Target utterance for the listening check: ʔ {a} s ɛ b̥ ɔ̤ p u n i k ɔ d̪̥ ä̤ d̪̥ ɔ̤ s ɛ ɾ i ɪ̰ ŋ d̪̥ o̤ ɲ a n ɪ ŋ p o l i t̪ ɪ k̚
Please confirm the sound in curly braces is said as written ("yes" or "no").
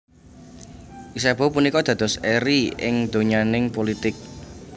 no